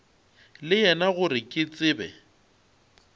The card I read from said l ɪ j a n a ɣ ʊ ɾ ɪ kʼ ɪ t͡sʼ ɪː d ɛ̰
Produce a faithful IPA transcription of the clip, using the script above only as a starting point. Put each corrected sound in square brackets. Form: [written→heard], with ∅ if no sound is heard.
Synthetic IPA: l ɪ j [a→ɛ] n a ɣ ʊ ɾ ɪ kʼ ɪ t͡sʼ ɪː [d→b] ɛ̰